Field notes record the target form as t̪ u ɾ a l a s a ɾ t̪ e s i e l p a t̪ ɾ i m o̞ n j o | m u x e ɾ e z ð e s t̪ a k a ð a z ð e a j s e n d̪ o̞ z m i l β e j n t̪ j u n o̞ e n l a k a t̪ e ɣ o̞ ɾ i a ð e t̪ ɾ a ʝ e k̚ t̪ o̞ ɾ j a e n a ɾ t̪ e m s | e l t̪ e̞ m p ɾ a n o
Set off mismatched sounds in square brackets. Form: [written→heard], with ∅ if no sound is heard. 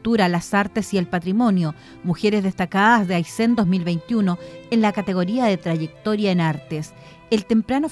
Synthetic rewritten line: t̪ u ɾ a l a s a ɾ t̪ e s i e l p a t̪ ɾ i m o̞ n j o | m u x e ɾ e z ð e s t̪ a k a ð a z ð e a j s e n d̪ o̞ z m i l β e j n t̪ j u n o̞ e n l a k a t̪ e ɣ o̞ ɾ i a ð e t̪ ɾ a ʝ e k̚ t̪ o̞ ɾ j a e n a ɾ t̪ e [m→∅] s | e l t̪ e̞ m p ɾ a n o